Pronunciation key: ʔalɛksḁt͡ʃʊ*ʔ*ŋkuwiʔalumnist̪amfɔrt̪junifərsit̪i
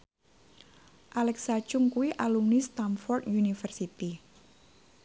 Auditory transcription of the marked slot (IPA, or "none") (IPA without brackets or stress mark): none